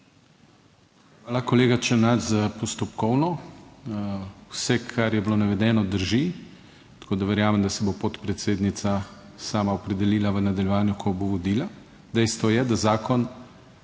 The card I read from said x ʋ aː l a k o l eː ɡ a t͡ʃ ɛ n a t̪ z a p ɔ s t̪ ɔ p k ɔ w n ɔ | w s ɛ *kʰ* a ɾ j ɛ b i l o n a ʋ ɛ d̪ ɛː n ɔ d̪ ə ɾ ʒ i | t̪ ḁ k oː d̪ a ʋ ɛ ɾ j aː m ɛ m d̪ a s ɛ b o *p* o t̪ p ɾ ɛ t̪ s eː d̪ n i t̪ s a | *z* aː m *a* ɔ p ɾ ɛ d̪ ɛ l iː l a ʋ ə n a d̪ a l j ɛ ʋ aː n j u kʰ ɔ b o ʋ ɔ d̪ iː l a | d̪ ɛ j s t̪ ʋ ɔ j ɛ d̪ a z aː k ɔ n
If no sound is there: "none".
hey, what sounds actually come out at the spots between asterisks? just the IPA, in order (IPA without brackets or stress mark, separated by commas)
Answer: kʰ, p, s, a